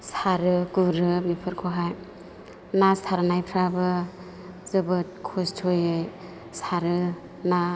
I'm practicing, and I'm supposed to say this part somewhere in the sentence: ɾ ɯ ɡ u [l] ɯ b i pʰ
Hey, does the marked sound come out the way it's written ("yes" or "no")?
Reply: no